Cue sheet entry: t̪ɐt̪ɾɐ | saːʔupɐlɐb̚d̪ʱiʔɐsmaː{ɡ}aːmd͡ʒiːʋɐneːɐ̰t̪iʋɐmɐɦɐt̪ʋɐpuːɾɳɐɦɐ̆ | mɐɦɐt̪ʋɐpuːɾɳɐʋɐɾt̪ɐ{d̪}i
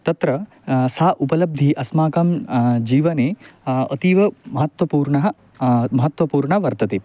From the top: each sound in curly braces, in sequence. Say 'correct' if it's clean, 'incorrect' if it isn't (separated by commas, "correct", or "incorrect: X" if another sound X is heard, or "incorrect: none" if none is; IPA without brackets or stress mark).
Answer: incorrect: k, incorrect: t̪